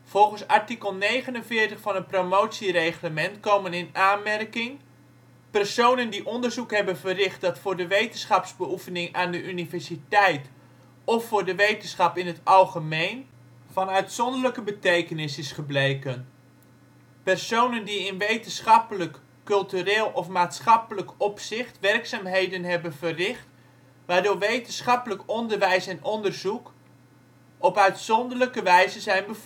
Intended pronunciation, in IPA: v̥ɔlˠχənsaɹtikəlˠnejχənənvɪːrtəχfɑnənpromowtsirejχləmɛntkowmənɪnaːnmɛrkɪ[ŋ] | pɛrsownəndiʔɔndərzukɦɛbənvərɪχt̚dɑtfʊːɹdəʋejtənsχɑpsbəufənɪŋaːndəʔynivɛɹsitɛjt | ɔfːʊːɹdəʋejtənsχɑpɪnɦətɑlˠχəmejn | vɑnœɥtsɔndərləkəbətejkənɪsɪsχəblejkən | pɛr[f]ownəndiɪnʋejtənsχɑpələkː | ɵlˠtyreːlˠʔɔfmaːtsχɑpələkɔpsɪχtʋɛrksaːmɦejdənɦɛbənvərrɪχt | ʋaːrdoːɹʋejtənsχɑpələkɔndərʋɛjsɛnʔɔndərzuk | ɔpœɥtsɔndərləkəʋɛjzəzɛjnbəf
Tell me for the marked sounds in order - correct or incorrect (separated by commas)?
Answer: correct, incorrect